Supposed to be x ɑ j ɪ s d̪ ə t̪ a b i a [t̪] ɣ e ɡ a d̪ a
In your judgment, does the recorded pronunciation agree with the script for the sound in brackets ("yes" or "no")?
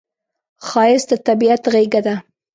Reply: yes